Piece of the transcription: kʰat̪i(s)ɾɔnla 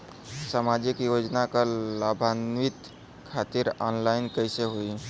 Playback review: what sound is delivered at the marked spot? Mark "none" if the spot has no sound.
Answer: none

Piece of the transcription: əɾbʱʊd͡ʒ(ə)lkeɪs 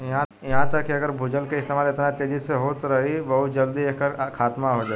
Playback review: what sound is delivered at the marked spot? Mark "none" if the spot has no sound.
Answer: ə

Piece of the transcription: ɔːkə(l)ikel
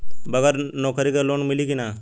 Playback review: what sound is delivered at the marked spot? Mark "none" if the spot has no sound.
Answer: ɾ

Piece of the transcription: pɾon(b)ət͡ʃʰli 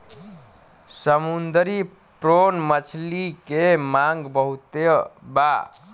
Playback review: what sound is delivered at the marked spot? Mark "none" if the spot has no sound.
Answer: m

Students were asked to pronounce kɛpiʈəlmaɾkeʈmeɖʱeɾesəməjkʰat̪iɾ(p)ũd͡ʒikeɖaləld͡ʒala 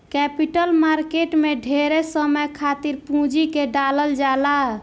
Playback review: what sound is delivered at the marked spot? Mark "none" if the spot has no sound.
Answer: p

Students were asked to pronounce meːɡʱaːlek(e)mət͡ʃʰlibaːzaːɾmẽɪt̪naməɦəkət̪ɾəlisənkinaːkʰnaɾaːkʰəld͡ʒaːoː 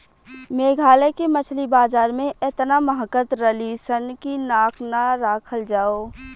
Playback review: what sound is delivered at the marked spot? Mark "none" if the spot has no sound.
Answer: e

